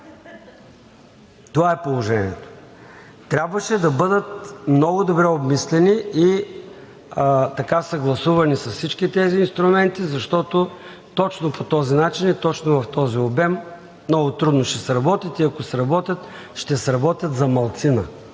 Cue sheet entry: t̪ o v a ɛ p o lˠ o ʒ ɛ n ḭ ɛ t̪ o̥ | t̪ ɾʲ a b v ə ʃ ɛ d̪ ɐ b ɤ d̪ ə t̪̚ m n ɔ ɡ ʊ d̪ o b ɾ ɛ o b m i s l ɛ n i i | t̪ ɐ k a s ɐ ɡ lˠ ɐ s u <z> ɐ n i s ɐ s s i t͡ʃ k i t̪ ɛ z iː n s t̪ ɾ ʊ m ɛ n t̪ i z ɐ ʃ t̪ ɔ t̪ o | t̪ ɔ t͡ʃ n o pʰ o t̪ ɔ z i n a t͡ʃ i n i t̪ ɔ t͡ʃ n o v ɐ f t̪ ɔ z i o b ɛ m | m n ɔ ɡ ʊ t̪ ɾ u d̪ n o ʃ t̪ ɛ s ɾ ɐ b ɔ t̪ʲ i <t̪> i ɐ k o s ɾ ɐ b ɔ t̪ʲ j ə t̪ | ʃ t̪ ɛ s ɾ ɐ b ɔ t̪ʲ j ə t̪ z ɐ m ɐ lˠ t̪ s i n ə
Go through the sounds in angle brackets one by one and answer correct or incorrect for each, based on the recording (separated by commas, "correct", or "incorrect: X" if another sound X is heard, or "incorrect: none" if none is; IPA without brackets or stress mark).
incorrect: v, correct